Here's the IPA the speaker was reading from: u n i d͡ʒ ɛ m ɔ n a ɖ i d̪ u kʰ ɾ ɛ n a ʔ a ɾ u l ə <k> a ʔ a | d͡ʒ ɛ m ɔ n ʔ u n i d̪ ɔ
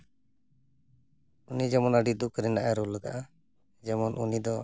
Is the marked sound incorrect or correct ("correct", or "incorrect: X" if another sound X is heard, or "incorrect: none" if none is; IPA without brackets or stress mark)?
incorrect: ɡ